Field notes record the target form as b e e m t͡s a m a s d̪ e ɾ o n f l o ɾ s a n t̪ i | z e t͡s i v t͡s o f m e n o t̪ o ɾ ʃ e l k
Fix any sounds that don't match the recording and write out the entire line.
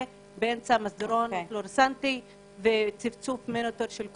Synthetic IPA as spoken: b e e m t͡s a m a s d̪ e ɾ o n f l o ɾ s a n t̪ i | v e t͡s i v t͡s u f m e n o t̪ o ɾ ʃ e l k